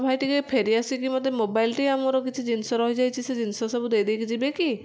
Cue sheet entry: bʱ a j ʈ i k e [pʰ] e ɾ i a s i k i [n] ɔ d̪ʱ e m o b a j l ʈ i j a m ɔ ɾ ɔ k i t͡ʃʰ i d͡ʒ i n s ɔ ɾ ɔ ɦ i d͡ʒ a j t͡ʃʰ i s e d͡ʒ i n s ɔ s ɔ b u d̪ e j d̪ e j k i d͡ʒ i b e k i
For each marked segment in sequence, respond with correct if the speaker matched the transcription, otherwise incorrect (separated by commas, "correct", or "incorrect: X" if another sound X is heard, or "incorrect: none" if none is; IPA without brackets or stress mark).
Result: correct, incorrect: m